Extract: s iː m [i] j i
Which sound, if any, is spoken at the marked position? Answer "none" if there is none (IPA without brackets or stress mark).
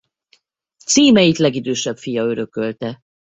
ɛ